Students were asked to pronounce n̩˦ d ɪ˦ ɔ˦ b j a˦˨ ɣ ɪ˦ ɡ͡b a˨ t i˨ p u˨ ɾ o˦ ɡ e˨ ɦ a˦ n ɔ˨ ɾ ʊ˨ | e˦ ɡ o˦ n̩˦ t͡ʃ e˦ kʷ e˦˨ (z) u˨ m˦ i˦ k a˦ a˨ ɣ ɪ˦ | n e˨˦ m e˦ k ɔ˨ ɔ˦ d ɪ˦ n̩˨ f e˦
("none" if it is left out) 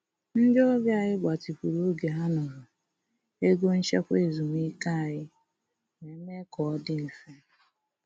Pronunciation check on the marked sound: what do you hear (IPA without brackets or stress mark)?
z